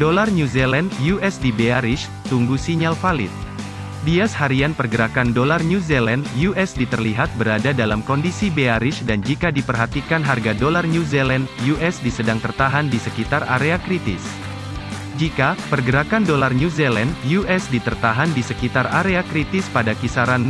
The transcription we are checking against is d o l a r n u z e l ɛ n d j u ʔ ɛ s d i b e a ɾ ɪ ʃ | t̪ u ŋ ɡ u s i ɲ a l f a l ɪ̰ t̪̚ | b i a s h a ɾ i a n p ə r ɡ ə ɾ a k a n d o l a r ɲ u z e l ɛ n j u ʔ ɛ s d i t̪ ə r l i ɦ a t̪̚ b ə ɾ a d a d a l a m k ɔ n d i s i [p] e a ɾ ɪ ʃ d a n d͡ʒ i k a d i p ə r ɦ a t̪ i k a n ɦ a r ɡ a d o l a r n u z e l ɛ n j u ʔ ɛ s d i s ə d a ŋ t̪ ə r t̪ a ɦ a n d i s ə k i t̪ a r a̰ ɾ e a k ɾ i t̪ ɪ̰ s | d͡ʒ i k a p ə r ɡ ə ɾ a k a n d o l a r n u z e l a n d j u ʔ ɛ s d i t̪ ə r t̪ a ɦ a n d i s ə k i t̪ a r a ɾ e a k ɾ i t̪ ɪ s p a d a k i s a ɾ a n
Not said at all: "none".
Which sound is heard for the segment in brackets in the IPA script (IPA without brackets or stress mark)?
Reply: b